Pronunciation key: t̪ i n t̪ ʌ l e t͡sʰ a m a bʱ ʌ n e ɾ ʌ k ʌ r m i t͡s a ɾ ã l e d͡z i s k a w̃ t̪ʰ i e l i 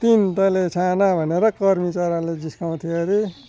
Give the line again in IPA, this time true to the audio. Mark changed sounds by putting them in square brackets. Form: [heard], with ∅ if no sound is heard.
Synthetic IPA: t̪ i n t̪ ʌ l e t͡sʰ a [n] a bʱ ʌ n e ɾ ʌ k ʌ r m i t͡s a ɾ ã l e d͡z i s k a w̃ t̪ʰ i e [ɾ] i